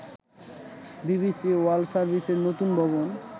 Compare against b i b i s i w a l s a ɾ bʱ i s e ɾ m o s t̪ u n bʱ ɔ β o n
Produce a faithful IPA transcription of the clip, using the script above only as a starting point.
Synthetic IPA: b i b i s i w a l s a ɾ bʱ i s e ɾ n o t̪ u n bʱ ɔ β o n